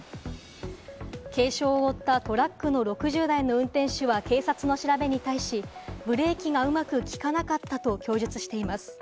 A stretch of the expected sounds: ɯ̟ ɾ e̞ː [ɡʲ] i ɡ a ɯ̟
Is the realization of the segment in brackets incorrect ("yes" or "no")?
yes